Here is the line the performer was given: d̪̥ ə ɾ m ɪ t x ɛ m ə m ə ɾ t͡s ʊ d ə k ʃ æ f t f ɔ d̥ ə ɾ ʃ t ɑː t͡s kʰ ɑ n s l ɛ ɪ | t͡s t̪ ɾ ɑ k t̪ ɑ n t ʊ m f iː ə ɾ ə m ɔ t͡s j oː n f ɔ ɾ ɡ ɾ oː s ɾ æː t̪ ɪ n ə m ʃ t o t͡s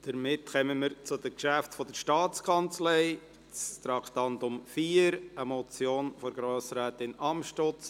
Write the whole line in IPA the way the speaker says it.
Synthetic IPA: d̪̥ ə ɾ m ɪ t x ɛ m ə m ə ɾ t͡s ʊ d ə k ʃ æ f t f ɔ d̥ ə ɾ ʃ t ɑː t͡s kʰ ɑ n t͡s l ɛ ɪ | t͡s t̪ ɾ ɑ k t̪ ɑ n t ʊ m f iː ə ɾ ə m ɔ t͡s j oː n f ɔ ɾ ɡ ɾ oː s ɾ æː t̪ ɪ n ɑ m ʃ t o t͡s